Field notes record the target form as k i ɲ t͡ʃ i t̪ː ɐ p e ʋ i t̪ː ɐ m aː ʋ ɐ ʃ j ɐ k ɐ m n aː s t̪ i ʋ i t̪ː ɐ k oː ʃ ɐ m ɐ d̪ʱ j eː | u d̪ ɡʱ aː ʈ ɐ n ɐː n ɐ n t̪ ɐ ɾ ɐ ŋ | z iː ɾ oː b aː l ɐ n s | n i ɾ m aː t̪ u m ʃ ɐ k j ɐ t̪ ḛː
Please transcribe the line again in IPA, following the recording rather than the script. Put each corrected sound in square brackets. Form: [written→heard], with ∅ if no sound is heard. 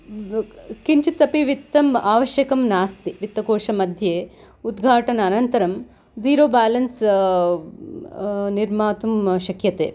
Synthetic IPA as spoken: k i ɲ t͡ʃ i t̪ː ɐ p [e→i] ʋ i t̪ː ɐ m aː ʋ ɐ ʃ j ɐ k ɐ m n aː s t̪ i ʋ i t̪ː ɐ k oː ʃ ɐ m ɐ d̪ʱ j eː | u d̪ ɡʱ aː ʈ ɐ n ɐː n ɐ n t̪ ɐ ɾ ɐ [ŋ→m] | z iː ɾ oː b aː l ɐ n s | n i ɾ m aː t̪ u m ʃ ɐ k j ɐ t̪ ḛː